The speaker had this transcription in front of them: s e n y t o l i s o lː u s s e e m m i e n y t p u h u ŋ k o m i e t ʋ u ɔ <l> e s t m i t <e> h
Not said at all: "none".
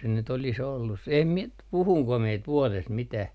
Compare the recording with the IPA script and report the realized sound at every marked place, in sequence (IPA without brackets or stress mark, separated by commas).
l, æ